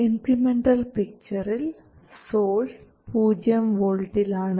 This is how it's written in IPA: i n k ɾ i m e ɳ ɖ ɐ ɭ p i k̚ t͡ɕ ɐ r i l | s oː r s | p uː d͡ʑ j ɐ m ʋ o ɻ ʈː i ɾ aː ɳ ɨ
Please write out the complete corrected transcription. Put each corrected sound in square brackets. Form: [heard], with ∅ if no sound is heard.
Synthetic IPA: i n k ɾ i m e ɳ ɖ ɐ [l] p i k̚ t͡ɕ ɐ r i l | s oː [l] s | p uː d͡ʑ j ɐ m ʋ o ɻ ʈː i [l] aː ɳ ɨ